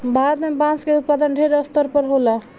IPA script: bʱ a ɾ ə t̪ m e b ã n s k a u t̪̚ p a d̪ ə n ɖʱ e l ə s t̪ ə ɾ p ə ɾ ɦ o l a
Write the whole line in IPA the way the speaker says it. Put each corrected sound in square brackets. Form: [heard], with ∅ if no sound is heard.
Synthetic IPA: bʱ a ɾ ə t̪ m e b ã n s k [e] u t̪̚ p a d̪ ə n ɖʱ e [ɾ] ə s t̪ ə ɾ p ə ɾ ɦ o l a